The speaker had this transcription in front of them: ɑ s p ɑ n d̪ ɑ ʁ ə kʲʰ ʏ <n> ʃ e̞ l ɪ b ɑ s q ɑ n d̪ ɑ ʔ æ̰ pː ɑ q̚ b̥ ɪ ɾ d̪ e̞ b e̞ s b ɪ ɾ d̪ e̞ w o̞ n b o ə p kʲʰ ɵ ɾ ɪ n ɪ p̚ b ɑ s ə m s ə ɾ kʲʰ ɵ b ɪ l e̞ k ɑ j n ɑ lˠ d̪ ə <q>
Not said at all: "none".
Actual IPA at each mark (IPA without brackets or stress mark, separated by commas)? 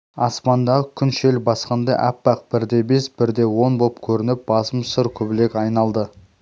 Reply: n, none